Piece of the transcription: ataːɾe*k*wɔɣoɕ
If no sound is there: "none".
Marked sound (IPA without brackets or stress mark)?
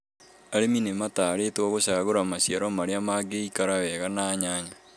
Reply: t